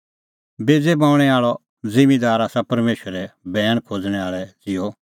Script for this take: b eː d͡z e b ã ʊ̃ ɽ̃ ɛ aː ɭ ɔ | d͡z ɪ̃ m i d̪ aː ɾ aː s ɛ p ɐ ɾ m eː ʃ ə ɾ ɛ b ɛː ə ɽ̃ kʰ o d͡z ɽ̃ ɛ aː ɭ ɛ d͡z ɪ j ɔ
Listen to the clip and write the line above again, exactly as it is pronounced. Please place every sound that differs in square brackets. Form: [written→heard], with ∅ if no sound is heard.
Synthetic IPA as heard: b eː d͡z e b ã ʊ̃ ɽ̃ ɛ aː ɭ ɔ | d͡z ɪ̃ m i d̪ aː ɾ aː s [ɛ→a] p ɐ ɾ m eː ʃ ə ɾ ɛ b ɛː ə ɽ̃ kʰ o d͡z ɽ̃ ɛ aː ɭ ɛ d͡z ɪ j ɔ